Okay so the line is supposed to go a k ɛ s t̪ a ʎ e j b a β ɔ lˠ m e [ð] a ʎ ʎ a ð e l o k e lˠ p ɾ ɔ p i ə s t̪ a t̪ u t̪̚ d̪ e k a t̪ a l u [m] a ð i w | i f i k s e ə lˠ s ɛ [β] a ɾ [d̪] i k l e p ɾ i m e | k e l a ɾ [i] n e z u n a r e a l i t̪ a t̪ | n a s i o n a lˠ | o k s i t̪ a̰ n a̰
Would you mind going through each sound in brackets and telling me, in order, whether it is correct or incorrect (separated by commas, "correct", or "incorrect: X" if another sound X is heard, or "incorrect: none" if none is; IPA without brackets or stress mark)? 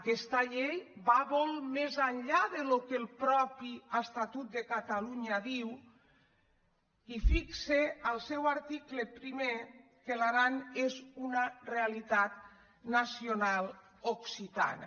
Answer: incorrect: z, incorrect: ɲ, incorrect: w, incorrect: t̪, incorrect: a